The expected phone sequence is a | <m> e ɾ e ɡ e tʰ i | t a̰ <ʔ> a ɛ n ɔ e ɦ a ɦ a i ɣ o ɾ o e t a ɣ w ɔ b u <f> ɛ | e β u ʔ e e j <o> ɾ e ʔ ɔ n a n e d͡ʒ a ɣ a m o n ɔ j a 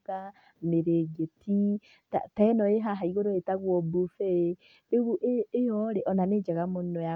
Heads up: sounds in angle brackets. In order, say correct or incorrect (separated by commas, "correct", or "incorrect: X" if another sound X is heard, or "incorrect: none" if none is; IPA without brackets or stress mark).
correct, incorrect: t, correct, incorrect: ɔ